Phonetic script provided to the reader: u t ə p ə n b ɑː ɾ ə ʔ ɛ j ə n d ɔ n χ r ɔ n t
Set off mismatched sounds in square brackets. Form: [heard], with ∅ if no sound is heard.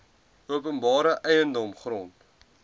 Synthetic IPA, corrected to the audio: u [∅] ə p ə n b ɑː ɾ ə ʔ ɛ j ə n d ɔ [m] χ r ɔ n t